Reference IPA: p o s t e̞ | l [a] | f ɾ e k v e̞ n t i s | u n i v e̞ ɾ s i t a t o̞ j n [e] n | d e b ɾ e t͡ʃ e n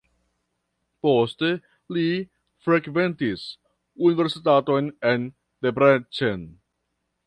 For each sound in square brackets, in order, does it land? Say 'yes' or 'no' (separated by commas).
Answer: no, yes